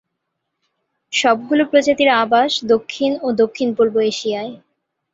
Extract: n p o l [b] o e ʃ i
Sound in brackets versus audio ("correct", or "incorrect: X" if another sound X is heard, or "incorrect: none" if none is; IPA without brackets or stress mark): correct